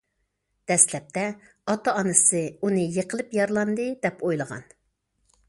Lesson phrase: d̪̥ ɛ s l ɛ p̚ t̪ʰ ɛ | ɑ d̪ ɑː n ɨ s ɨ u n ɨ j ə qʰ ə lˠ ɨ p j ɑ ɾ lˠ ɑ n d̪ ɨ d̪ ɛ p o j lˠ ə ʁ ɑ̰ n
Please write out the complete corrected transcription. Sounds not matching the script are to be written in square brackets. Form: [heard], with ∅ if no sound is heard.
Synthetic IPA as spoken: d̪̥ ɛ s l ɛ p̚ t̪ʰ ɛ | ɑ [t̪] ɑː n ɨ s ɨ u n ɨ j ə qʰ ə lˠ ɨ p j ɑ ɾ lˠ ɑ n d̪ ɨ d̪ ɛ p o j lˠ ə ʁ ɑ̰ n